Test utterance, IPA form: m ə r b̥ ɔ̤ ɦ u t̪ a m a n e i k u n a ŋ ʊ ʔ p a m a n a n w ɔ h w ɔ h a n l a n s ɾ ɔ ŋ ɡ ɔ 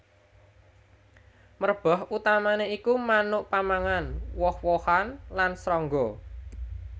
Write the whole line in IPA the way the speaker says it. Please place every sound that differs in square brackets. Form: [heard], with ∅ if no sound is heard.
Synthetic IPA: m ə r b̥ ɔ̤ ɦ u t̪ a m a n e i k u [m] a [n] ʊ ʔ p a m a [ŋ] a n w ɔ h w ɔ h a n l a n s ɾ ɔ ŋ ɡ ɔ